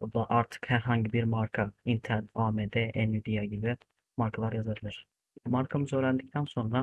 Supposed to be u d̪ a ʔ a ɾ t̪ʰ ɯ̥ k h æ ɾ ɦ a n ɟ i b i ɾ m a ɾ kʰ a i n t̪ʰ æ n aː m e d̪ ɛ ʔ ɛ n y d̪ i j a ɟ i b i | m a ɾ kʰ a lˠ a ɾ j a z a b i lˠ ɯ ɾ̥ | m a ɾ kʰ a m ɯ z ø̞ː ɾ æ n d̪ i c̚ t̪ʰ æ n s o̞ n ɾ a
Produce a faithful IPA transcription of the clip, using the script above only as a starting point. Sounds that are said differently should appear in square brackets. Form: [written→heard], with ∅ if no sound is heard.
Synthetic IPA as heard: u d̪ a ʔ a ɾ t̪ʰ ɯ̥ k h æ ɾ ɦ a [n→ɲ] ɟ i b i ɾ m a ɾ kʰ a i n t̪ʰ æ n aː m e d̪ ɛ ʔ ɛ n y d̪ i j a ɟ i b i | m a ɾ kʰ a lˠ a ɾ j a z a b i lˠ ɯ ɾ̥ | m a ɾ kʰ a m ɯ z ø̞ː ɾ æ n d̪ i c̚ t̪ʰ æ n s o̞ n ɾ a